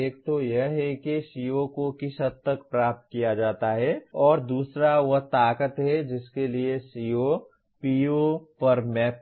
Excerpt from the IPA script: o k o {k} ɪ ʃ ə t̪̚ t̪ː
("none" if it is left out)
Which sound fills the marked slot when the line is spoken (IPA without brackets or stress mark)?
k